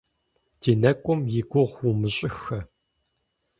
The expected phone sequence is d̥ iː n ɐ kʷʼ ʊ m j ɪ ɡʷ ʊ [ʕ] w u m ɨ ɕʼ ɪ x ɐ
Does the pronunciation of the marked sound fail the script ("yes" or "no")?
yes